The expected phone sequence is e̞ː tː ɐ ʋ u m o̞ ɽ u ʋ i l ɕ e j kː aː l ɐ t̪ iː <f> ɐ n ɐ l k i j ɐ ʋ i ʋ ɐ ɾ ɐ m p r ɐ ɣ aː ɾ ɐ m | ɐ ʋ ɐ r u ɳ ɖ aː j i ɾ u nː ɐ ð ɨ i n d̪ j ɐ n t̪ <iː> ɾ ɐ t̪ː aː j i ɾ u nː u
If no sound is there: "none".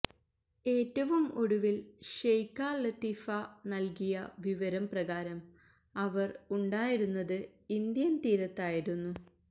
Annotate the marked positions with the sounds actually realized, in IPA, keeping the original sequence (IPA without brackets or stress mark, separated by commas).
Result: f, iː